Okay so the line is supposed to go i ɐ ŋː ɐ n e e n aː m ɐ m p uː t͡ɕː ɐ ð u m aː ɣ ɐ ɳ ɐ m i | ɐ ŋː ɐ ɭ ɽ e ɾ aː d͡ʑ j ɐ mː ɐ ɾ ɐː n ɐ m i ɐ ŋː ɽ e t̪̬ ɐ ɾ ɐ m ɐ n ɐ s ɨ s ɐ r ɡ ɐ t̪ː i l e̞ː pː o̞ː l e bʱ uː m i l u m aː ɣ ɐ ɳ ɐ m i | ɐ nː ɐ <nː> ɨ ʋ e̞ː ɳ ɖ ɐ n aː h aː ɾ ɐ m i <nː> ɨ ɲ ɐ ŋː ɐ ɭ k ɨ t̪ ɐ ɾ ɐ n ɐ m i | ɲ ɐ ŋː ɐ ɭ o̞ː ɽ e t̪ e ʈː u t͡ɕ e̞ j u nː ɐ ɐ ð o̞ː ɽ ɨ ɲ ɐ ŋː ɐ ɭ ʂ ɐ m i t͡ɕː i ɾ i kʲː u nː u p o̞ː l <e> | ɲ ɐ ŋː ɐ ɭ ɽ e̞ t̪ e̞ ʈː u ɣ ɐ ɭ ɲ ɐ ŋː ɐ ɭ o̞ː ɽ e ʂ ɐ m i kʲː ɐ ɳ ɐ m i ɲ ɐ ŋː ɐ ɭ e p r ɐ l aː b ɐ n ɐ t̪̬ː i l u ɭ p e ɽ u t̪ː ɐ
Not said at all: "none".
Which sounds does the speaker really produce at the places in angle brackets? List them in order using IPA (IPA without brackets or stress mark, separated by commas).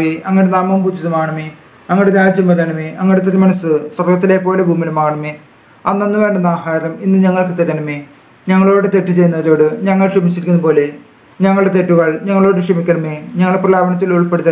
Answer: nː, nː, e